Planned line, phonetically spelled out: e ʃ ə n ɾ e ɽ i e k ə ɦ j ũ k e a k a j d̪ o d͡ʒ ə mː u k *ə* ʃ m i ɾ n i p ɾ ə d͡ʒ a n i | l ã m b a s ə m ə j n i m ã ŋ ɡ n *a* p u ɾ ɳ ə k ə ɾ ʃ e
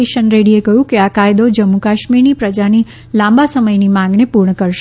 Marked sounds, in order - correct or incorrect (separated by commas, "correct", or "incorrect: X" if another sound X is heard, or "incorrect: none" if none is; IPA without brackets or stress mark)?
incorrect: a, incorrect: e